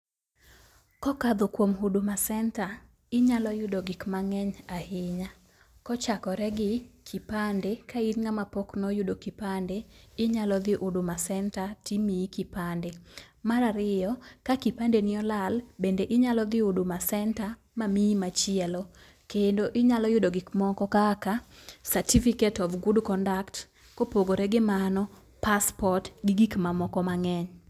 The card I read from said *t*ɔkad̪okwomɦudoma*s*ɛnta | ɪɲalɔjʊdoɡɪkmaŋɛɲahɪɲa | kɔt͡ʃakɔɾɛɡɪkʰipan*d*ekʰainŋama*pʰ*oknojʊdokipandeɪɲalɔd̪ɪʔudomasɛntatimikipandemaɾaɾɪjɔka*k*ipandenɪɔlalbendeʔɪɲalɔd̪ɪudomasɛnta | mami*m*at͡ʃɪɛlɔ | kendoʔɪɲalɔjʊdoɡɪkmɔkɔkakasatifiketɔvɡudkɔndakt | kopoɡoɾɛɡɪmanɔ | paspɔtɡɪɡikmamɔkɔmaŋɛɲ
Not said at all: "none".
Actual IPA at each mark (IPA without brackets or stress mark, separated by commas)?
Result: k, s, d, p, k, m